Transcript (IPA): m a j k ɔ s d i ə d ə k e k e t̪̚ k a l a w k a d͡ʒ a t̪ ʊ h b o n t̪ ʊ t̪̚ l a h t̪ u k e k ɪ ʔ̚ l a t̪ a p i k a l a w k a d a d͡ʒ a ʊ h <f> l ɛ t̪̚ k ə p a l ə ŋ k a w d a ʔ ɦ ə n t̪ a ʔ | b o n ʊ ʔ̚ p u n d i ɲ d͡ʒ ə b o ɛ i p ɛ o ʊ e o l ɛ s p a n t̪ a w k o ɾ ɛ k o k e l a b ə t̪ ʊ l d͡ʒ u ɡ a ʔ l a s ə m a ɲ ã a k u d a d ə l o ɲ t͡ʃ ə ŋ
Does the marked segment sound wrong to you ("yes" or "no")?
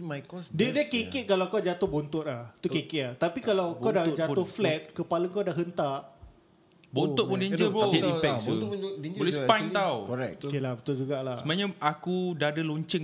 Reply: no